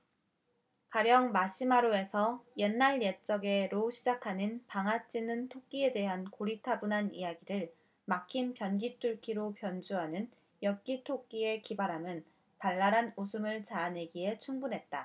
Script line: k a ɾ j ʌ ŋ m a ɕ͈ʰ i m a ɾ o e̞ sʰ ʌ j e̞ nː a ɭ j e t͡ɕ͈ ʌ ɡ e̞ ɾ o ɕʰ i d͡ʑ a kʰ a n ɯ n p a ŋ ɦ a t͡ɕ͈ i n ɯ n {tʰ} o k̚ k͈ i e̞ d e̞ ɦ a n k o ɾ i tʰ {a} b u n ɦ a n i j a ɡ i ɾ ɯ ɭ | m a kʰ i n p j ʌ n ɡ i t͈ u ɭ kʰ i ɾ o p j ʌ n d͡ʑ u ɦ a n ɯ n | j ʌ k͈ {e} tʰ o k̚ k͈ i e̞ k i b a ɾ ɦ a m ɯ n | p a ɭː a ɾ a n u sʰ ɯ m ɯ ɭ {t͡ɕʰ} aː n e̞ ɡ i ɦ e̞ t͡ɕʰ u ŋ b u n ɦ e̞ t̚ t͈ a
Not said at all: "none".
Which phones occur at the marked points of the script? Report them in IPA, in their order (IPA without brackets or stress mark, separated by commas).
tʰ, a, i, t͡ɕ